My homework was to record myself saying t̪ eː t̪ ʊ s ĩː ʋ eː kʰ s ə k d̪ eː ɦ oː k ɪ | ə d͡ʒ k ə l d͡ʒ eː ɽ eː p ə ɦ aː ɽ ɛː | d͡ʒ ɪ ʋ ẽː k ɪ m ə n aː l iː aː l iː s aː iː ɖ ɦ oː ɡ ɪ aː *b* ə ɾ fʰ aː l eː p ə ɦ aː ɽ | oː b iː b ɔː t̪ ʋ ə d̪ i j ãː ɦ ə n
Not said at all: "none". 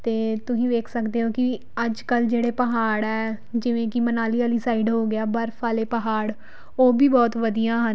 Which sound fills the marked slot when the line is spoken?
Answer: b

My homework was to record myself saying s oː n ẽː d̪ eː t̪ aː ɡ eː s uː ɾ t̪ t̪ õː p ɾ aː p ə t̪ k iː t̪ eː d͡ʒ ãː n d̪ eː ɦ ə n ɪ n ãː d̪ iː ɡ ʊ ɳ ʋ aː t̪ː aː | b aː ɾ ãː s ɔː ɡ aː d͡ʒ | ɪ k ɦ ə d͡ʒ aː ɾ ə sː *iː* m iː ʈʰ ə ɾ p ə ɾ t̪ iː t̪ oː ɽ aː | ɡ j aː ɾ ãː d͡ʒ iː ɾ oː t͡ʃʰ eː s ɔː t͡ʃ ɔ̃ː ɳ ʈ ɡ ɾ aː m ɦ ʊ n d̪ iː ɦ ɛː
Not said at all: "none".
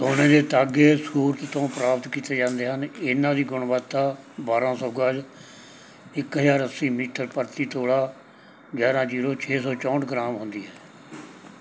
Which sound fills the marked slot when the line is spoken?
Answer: iː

